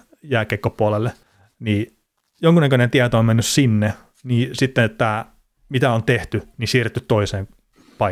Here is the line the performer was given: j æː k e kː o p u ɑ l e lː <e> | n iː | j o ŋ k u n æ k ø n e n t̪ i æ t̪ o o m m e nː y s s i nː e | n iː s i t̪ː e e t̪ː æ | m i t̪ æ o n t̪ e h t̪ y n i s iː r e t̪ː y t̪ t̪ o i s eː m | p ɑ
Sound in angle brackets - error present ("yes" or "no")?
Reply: no